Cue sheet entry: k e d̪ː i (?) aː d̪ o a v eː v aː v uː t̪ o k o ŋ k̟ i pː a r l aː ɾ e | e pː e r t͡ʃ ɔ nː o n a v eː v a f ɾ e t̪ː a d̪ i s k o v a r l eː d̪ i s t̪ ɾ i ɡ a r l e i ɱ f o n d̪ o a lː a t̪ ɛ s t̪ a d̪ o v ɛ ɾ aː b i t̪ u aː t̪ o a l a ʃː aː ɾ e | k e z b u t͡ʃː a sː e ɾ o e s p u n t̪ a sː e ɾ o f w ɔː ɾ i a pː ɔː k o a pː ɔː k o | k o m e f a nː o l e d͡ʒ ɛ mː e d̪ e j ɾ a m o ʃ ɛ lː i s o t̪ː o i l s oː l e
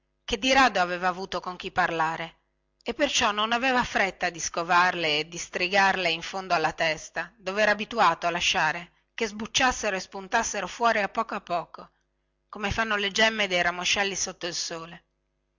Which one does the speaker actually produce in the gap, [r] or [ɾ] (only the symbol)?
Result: ɾ